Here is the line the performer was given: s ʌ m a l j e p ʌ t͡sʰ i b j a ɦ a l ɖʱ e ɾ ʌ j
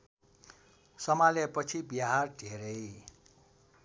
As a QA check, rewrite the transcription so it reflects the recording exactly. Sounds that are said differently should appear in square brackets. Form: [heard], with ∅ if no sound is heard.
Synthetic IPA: s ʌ m a l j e p ʌ t͡sʰ i b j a ɦ a [r] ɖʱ e ɾ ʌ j